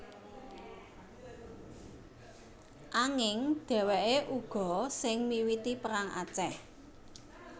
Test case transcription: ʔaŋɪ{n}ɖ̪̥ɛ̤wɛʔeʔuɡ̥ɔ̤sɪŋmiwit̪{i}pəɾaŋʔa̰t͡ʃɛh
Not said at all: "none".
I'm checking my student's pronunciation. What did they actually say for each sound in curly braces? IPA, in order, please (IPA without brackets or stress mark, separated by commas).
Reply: ŋ, i